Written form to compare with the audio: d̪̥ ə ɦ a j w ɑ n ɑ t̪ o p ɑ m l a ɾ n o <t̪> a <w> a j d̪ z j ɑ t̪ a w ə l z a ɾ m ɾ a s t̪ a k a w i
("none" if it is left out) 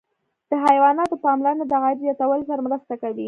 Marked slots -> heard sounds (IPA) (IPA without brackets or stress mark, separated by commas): d̪, ɣ